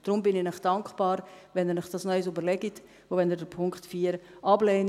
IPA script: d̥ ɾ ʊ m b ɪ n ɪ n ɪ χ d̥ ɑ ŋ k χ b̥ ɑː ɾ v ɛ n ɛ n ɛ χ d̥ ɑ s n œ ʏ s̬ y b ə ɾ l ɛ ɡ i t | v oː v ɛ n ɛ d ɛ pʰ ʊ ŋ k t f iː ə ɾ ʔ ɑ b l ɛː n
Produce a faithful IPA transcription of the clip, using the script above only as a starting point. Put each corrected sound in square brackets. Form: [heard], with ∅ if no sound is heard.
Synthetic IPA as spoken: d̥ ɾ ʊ m b ɪ n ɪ n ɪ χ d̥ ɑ ŋ k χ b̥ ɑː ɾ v ɛ n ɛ n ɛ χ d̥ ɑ s n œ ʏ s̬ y b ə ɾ l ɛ ɡ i t | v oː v ɛ n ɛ d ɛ pʰ ʊ ŋ k t f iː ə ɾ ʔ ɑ b l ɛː n